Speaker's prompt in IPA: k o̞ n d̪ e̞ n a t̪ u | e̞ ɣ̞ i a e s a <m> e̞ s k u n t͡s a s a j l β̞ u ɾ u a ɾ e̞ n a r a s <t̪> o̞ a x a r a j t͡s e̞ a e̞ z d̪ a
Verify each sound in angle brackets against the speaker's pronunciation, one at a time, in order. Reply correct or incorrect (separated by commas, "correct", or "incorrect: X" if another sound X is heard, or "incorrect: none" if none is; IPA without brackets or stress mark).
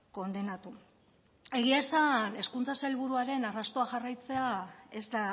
incorrect: n, correct